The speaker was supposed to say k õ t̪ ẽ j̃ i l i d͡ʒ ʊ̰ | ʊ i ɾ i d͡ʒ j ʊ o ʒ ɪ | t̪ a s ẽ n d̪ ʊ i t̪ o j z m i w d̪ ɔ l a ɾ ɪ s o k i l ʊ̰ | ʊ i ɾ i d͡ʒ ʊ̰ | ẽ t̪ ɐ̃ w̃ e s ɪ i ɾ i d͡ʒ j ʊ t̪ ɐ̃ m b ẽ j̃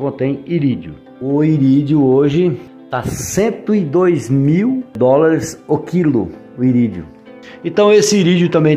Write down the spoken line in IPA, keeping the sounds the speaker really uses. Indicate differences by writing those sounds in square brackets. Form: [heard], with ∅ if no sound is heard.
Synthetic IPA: k õ t̪ ẽ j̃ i [ɾ] i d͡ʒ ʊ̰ | ʊ i ɾ i d͡ʒ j ʊ o ʒ ɪ | t̪ a s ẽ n [t̪] ʊ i [d̪] o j z m i w d̪ ɔ l a ɾ ɪ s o k i l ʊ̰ | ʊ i ɾ i d͡ʒ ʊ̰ | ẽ t̪ ɐ̃ w̃ e s ɪ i ɾ i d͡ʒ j ʊ t̪ ɐ̃ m b ẽ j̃